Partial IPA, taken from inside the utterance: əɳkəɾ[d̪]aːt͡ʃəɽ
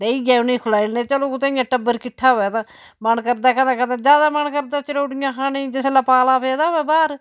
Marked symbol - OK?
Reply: yes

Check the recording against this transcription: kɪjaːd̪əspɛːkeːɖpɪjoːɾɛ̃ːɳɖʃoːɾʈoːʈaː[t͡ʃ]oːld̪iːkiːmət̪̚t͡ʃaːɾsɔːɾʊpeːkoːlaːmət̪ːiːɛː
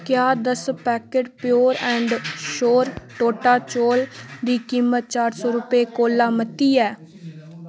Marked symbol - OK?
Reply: yes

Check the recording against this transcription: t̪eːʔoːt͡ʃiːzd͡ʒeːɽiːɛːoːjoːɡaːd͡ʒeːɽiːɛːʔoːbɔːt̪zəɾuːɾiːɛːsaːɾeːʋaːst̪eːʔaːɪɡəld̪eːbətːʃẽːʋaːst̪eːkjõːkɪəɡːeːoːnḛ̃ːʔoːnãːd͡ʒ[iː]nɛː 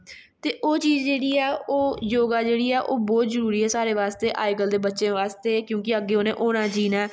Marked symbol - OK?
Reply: yes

